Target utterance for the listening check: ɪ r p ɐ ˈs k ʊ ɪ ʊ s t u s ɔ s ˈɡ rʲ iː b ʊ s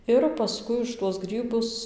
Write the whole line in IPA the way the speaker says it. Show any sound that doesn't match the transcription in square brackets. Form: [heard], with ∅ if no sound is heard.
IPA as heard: ɪ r p ɐ ˈs k ʊ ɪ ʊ [ʃ] t u [∅] ɔ s ˈɡ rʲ iː b ʊ s